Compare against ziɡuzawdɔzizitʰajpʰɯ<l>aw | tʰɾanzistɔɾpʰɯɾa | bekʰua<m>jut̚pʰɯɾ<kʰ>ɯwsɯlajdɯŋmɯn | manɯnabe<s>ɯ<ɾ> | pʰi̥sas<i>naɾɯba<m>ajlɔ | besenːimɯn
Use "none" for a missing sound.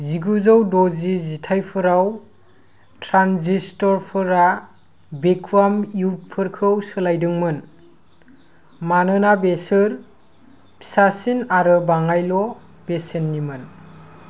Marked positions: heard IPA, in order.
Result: ɾ, m, kʰ, s, ɾ, i, ŋ

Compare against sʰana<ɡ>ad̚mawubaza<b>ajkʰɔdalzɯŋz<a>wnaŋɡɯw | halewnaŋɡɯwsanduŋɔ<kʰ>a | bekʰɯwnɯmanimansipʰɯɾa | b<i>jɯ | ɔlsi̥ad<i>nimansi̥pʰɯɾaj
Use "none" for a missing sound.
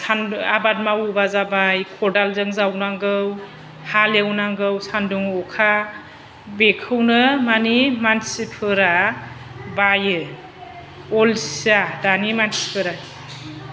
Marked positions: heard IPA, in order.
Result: b, b, a, kʰ, a, a

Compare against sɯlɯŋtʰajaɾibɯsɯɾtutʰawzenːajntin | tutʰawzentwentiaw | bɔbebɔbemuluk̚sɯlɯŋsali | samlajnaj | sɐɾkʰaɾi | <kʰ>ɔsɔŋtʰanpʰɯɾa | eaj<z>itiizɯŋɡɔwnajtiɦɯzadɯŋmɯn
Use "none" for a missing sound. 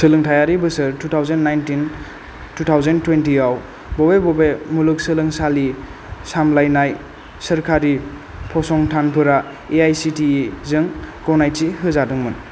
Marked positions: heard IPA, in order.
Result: pʰ, s

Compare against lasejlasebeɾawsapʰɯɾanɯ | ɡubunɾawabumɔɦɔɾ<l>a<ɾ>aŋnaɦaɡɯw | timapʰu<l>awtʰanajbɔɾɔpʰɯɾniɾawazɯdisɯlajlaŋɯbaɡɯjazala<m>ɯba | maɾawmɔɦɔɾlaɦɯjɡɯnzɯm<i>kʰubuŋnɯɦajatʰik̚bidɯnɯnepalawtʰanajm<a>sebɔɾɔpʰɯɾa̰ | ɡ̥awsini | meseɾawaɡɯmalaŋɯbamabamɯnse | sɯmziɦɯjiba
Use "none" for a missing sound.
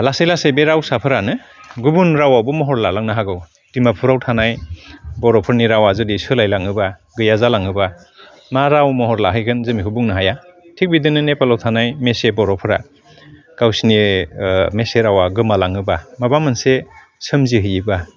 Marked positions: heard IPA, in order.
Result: l, l, ɾ, ŋ, i, e

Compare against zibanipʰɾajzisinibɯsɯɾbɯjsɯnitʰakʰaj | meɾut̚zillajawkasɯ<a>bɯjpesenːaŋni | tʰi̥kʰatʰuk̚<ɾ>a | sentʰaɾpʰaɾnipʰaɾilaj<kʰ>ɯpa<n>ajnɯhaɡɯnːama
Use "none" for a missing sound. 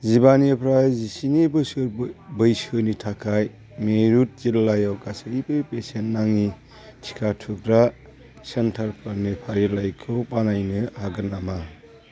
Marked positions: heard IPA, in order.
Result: i, ɾ, kʰ, n

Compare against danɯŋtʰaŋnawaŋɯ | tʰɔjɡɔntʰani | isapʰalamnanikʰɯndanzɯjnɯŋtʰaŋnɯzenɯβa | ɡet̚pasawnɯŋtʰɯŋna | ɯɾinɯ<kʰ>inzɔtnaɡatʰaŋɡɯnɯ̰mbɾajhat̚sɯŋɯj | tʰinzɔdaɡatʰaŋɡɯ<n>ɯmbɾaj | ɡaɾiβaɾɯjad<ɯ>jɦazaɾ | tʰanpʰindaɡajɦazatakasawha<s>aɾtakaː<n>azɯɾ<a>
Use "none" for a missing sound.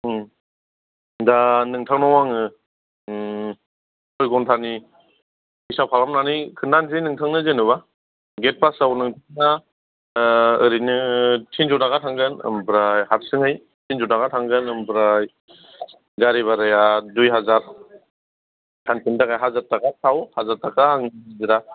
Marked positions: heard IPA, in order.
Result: tʰ, n, u, z, ŋ, a

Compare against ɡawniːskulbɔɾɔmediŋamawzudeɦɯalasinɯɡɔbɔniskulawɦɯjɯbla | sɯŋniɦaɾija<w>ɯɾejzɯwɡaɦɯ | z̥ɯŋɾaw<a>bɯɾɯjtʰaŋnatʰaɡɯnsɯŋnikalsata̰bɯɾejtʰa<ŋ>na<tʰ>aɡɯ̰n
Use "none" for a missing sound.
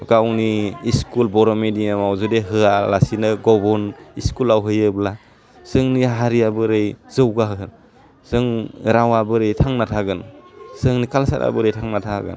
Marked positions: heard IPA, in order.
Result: b, a, ŋ, tʰ

